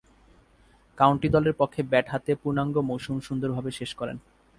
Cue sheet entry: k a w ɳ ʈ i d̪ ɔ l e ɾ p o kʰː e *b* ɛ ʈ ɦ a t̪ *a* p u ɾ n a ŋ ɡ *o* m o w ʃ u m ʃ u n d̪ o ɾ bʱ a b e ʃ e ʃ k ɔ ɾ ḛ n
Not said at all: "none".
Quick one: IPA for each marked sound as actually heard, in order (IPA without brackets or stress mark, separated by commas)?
b, e, o